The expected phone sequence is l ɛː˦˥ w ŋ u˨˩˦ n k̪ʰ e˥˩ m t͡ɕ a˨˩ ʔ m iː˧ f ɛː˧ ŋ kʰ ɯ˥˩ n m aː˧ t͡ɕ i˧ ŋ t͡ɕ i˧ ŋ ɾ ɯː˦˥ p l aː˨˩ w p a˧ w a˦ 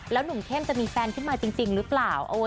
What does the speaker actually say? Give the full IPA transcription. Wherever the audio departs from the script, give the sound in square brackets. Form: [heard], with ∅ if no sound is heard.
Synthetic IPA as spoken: l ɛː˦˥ w [n] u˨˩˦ [ŋ] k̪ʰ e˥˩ m t͡ɕ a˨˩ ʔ m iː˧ f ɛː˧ [n] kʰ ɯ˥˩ n m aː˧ t͡ɕ i˧ ŋ t͡ɕ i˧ ŋ ɾ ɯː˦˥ p l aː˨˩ w [ʔ] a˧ w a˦